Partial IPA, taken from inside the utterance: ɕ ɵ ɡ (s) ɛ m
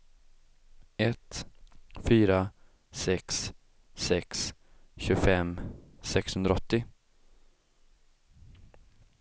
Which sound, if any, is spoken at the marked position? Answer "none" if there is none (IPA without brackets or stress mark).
f